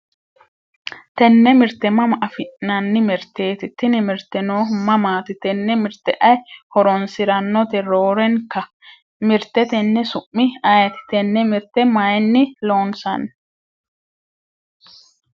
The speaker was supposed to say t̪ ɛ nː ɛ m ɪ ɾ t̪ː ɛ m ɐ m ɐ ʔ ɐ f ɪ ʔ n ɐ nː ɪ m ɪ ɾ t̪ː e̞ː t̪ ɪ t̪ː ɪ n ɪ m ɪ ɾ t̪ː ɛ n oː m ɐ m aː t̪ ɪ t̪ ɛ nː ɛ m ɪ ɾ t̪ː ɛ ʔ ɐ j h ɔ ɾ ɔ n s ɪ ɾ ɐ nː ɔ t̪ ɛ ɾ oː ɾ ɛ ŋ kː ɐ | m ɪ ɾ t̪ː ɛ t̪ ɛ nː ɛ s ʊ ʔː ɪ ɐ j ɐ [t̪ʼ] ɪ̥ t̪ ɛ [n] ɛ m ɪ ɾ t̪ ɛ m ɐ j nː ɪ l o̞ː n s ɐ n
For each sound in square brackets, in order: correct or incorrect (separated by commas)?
incorrect, incorrect